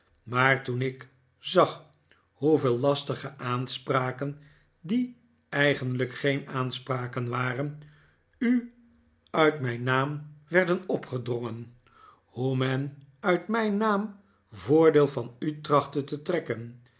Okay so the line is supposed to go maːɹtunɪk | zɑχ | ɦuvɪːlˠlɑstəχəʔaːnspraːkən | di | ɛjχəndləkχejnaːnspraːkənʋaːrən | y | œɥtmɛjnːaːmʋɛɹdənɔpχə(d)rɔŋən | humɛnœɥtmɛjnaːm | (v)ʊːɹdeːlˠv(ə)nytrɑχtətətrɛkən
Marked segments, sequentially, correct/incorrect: correct, correct, incorrect

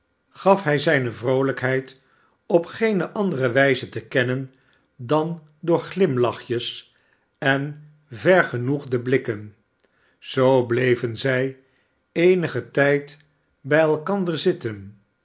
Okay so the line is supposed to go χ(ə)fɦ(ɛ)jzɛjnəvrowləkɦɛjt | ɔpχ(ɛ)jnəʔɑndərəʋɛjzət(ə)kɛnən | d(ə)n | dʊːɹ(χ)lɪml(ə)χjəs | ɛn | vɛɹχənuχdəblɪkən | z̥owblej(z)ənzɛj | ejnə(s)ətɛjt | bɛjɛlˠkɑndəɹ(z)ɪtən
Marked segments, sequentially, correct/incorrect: incorrect, correct, incorrect, correct, incorrect, correct, incorrect, incorrect, incorrect, correct

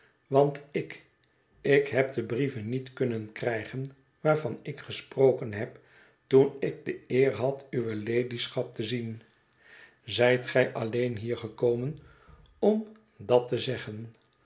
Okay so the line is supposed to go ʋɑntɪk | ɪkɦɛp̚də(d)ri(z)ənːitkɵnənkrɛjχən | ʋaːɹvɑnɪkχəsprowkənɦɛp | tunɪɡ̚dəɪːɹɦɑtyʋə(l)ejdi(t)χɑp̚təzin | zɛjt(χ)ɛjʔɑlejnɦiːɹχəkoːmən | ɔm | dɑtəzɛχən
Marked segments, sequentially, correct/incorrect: incorrect, incorrect, correct, incorrect, correct

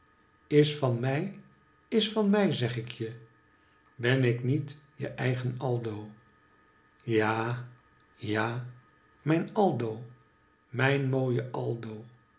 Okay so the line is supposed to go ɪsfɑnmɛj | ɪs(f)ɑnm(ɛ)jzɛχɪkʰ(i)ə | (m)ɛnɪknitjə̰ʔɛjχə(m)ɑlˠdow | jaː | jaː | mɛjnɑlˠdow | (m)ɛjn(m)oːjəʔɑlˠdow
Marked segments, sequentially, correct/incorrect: correct, correct, incorrect, incorrect, incorrect, correct, correct

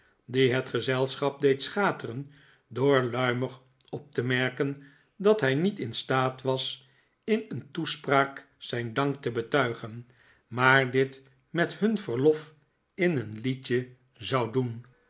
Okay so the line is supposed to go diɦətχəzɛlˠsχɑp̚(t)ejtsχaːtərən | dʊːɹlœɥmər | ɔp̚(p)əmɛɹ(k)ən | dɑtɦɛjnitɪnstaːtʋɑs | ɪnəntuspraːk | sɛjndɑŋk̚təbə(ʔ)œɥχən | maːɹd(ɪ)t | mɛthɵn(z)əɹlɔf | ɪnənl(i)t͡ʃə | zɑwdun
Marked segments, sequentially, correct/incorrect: incorrect, incorrect, correct, incorrect, correct, incorrect, correct

